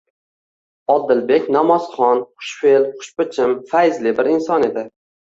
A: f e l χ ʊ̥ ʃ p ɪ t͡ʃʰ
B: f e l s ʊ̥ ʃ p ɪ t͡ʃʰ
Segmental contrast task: A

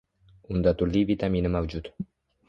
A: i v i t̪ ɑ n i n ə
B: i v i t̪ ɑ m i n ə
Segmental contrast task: B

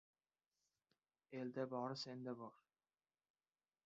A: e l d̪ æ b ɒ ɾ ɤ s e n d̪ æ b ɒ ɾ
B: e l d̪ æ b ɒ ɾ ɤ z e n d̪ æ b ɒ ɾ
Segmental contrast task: A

